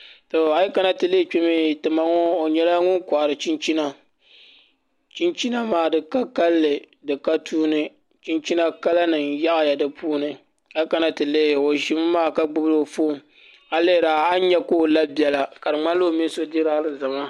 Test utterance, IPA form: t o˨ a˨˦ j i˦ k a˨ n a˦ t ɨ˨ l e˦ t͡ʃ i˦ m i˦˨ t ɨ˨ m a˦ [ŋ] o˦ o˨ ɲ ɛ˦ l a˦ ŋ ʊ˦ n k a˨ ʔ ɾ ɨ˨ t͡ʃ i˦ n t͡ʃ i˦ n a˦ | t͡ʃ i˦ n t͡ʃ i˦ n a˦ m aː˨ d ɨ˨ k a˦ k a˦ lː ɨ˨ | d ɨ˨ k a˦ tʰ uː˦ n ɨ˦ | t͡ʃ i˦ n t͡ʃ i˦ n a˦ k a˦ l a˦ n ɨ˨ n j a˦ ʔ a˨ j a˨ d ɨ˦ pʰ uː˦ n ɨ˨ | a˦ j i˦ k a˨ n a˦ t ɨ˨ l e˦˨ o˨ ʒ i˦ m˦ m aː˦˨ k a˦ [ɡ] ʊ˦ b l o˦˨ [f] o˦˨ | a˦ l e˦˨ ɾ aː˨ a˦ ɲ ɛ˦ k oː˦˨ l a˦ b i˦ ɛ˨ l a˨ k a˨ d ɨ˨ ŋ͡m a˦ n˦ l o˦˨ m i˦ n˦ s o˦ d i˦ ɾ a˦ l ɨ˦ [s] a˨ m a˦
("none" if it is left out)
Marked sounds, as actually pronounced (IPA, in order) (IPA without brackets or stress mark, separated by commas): ŋ, ɡ͡b, f, z